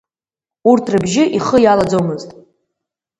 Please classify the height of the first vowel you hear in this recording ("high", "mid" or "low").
high